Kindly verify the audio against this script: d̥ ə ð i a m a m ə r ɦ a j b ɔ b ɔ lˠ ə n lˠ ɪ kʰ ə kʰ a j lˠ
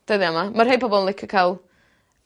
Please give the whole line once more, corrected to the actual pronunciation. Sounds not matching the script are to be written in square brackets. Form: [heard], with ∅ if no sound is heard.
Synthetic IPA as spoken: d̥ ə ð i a m a m [a] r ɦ [e] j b ɔ b ɔ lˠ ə n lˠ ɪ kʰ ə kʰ a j lˠ